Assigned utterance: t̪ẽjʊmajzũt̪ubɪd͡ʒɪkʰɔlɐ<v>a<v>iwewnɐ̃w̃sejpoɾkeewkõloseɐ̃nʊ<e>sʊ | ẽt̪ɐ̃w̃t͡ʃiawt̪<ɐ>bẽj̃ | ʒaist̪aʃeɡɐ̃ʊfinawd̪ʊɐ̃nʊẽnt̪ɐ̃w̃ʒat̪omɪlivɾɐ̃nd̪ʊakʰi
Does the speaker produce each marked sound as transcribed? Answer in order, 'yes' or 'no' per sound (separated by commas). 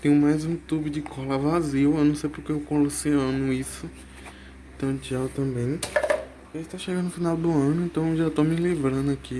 yes, no, no, no